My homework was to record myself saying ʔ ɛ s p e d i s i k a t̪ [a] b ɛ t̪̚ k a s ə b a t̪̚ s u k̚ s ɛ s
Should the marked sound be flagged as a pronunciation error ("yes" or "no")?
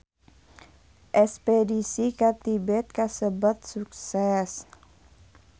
yes